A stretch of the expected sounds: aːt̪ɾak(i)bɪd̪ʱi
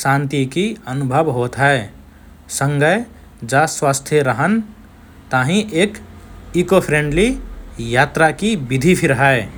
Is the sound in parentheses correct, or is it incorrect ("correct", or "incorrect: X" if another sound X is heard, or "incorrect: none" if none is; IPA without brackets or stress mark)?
correct